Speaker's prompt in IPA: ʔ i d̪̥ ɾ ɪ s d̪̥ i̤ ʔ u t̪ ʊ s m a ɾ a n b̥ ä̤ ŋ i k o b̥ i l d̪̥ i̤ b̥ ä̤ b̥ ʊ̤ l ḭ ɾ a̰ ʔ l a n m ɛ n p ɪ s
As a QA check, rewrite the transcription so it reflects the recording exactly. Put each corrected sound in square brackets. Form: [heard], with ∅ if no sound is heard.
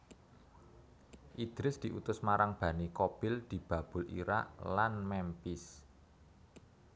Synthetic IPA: ʔ i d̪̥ ɾ ɪ s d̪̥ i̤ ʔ u t̪ ʊ s m a ɾ a [ŋ] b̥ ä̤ [n] i k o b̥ [ɪ] l d̪̥ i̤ b̥ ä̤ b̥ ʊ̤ l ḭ ɾ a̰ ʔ l a n m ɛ [m] p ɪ s